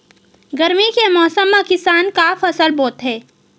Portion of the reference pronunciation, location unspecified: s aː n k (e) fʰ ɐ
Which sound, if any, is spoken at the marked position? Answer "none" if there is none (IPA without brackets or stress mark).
a